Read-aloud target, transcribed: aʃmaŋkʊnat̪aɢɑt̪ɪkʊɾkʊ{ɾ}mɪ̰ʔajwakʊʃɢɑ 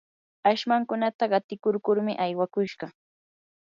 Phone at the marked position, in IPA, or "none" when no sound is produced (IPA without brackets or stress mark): ɾ